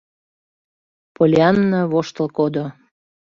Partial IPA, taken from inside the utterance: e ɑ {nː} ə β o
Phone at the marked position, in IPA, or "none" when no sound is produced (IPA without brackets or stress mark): nː